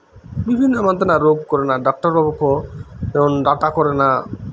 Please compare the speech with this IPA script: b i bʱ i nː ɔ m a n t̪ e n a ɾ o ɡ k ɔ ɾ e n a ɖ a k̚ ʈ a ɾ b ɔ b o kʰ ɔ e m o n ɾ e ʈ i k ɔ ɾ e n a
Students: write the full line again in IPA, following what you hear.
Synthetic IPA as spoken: b i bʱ i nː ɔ m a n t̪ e n a ɾ o ɡ k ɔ ɾ e n a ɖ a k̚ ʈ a ɾ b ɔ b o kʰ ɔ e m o n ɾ a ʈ a k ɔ ɾ e n a